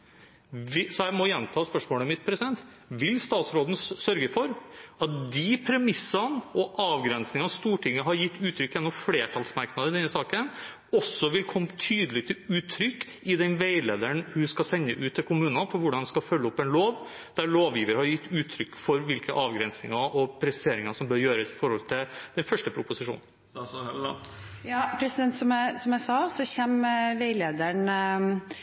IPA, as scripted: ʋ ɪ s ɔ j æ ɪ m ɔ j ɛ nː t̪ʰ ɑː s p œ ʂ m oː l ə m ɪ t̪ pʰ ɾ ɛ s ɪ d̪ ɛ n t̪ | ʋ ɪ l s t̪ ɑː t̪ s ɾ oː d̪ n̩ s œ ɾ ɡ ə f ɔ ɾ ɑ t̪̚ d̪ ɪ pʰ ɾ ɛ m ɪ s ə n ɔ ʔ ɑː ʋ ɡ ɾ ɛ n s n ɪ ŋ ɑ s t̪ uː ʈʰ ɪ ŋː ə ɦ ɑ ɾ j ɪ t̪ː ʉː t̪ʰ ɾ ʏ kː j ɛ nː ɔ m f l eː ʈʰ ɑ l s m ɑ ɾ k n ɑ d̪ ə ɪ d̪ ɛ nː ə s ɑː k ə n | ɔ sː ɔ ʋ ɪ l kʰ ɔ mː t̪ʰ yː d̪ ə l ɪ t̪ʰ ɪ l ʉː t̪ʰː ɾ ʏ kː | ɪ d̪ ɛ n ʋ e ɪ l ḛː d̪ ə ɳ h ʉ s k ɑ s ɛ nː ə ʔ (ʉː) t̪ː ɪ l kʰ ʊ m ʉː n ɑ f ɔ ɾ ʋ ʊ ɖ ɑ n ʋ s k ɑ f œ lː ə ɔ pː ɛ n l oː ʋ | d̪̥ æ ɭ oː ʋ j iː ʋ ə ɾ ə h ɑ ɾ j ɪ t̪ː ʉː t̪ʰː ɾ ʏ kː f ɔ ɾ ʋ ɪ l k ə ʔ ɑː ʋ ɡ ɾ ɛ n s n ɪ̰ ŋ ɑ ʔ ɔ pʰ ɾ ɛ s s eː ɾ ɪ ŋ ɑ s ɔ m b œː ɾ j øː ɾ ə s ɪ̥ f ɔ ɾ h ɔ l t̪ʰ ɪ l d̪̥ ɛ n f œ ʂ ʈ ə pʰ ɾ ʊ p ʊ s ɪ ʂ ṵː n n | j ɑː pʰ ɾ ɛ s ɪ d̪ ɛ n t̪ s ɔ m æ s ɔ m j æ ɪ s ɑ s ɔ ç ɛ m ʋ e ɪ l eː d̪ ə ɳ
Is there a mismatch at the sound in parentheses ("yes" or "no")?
no